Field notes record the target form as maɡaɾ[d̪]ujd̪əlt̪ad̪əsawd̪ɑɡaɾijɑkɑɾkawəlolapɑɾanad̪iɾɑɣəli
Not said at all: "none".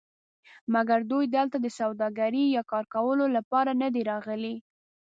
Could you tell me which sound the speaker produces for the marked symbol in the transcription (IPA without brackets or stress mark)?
d̪